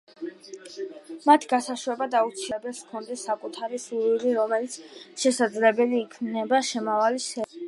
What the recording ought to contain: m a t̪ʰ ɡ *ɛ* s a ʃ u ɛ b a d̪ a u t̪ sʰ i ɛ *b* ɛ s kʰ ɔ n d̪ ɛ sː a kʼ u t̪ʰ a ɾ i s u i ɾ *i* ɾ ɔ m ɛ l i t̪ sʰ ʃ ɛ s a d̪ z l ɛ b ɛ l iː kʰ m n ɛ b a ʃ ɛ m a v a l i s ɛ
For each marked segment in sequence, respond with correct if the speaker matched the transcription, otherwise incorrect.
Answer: incorrect: a, correct, correct

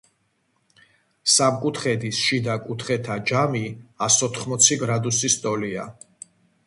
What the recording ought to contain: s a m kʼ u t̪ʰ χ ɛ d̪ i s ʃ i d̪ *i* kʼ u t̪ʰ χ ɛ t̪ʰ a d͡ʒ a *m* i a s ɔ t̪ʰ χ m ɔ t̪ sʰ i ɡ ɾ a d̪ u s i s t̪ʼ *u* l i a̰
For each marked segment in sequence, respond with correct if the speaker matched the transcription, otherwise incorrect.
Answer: incorrect: a, correct, incorrect: ɔ

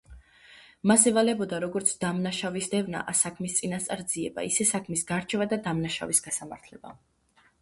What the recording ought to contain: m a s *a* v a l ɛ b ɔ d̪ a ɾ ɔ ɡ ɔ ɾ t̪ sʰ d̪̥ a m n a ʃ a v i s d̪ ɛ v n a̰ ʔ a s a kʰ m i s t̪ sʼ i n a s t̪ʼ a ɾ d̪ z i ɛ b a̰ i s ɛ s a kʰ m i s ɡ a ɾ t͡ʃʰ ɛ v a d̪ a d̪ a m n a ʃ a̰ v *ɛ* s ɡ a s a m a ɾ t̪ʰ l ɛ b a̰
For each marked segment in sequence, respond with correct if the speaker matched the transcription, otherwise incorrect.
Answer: incorrect: ɛ, incorrect: i

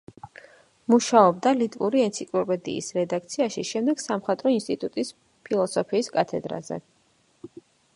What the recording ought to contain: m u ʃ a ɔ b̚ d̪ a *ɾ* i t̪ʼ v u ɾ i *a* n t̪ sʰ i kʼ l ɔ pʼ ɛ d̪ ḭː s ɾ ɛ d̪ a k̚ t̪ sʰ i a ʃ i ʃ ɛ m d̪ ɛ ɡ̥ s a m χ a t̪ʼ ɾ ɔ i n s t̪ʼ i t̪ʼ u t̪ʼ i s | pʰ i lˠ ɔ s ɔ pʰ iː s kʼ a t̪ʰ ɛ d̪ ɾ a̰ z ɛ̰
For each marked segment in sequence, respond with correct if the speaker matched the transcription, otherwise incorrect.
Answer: incorrect: l, incorrect: ɛ

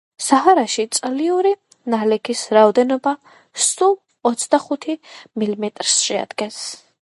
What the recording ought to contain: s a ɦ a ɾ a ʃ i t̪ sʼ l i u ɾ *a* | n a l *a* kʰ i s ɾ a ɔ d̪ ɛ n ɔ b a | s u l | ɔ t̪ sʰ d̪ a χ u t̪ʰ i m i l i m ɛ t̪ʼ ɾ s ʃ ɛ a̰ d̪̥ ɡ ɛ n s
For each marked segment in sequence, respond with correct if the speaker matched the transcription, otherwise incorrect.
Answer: incorrect: i, incorrect: ɛ

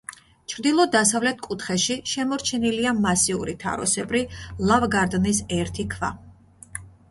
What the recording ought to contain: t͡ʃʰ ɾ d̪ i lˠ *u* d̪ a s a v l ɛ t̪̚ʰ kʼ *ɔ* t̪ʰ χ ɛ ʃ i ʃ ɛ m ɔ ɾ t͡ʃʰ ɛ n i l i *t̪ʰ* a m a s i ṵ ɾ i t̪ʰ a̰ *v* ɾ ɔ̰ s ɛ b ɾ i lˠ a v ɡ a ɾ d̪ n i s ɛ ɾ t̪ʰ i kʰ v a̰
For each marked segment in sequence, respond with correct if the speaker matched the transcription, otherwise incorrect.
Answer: incorrect: ɔ, incorrect: u, incorrect: none, incorrect: none

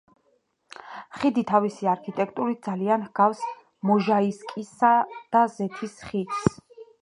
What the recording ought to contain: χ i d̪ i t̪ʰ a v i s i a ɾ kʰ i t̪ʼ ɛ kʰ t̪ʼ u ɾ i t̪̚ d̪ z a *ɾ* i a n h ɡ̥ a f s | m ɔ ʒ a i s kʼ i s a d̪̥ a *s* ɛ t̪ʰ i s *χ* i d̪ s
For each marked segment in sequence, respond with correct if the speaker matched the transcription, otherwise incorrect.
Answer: incorrect: l, incorrect: z, correct

